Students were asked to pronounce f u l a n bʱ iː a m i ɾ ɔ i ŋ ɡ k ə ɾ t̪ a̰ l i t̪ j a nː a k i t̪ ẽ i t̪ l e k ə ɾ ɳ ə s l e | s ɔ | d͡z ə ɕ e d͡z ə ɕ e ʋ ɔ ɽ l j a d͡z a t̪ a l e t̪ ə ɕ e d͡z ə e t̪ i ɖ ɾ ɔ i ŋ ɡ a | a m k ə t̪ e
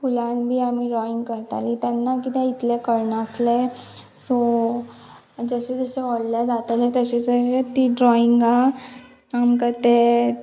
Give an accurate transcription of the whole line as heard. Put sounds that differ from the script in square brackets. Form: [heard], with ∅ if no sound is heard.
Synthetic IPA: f u l a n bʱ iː a m i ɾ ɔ i ŋ ɡ k ə ɾ t̪ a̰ l i t̪ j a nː a k i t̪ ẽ i t̪ l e k ə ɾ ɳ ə s l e | s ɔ | d͡z ə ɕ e d͡z ə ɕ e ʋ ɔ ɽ l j a d͡z a t̪ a l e t̪ ə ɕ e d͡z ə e t̪ i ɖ ɾ ɔ i ŋ ɡ a | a m k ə t̪ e